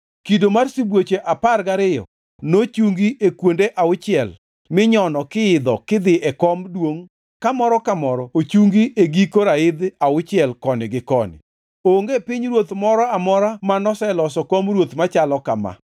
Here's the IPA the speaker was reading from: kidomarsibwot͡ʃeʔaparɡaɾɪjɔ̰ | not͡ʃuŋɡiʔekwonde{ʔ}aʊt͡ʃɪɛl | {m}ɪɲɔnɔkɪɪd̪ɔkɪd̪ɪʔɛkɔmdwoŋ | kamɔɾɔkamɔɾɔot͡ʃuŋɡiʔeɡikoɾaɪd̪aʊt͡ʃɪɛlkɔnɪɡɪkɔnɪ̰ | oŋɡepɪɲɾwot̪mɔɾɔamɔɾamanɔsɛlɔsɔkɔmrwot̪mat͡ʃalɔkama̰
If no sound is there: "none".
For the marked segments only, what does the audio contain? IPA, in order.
ʔ, m

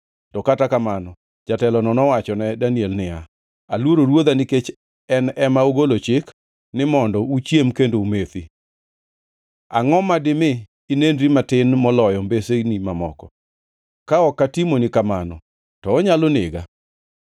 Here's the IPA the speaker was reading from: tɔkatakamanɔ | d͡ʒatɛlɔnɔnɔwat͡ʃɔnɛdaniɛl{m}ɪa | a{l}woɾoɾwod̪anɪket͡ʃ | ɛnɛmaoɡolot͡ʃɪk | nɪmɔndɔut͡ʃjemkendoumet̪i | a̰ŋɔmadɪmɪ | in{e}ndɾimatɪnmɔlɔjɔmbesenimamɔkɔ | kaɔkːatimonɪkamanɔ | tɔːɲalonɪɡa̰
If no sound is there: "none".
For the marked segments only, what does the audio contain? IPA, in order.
n, l, e

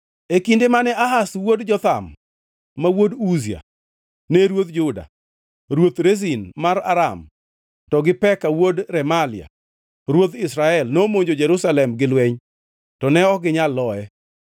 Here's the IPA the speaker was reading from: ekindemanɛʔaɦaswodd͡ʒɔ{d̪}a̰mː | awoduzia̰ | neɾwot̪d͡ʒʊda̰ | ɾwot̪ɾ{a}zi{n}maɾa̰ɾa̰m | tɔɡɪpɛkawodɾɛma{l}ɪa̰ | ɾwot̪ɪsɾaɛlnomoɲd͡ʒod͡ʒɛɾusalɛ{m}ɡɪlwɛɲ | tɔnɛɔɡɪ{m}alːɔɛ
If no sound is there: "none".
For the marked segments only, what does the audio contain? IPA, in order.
t̪, e, n, l, m, ɲ

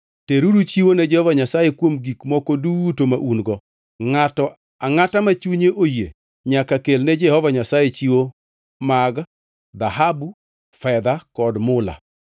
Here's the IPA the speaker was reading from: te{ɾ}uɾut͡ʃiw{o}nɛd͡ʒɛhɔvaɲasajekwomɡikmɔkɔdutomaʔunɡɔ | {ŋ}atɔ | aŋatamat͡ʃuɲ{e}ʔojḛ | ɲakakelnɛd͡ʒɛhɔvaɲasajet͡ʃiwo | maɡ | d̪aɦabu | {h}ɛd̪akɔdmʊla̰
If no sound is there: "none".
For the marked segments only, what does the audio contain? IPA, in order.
ɾ, o, ŋ, e, f

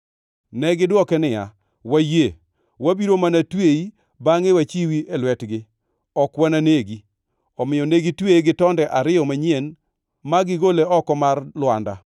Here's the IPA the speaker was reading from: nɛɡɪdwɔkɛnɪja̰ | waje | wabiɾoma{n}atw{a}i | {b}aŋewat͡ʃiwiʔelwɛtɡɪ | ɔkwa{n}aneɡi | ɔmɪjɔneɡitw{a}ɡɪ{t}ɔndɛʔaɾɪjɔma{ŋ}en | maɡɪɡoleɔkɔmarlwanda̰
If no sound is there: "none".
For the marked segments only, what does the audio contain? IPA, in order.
n, e, b, n, e, t, ɲ

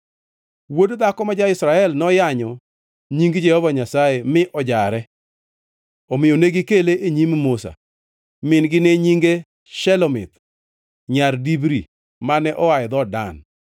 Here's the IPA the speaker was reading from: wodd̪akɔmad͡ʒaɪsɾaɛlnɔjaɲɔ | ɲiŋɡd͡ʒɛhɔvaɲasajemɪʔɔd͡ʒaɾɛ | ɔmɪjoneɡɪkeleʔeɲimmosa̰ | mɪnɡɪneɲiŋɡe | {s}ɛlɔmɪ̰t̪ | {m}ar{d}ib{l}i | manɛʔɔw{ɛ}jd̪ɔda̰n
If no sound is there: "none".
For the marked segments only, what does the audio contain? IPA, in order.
ʃ, ɲ, d, ɾ, a

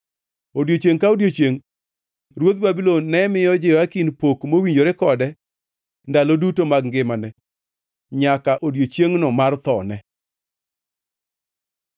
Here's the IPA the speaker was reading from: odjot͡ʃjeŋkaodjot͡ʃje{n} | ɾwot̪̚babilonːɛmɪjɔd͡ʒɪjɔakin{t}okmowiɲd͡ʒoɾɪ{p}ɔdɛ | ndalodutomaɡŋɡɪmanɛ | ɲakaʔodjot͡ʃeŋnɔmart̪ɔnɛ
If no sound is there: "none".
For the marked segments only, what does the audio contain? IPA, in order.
ŋ, p, k

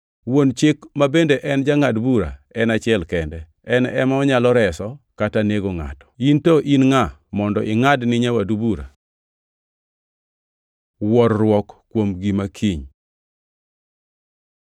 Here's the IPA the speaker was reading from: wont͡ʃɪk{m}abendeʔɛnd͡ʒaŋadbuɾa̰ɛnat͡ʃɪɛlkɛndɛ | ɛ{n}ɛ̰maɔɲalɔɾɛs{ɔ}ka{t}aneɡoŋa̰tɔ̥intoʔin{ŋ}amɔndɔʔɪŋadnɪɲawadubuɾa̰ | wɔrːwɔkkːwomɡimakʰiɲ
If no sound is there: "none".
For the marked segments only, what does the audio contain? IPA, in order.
m, n, ɔ, t, ŋ

